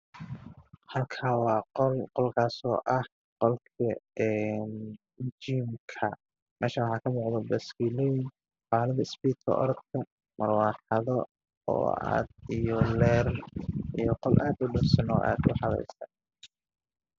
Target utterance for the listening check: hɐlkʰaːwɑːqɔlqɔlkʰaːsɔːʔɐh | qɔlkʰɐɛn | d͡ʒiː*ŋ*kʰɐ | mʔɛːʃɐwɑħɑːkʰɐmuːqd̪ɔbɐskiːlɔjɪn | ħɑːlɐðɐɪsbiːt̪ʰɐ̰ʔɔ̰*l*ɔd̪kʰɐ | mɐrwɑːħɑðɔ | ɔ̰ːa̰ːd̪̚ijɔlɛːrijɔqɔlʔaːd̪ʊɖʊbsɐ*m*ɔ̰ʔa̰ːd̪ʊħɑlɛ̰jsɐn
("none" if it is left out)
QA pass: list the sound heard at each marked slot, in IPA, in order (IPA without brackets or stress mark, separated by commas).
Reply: m, ɾ, n